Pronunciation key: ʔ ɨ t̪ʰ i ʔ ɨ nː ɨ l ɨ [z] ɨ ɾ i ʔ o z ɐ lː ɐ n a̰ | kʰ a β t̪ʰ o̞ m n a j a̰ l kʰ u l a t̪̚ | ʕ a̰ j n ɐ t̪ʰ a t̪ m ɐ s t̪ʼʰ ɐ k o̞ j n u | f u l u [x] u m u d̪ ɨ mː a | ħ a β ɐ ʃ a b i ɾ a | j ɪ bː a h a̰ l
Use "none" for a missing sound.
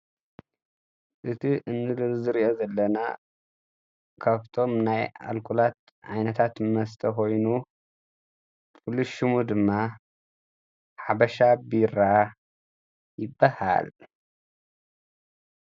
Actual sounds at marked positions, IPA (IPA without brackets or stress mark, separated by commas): z, ʃ